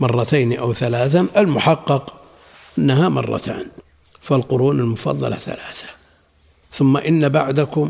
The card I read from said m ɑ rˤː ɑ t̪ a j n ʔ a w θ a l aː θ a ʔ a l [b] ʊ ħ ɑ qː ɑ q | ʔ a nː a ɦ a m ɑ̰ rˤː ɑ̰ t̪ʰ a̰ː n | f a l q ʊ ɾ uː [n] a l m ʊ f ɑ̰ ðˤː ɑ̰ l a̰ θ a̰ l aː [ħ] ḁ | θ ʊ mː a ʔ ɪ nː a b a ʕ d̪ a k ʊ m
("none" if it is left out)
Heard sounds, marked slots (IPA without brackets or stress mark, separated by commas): m, n, θ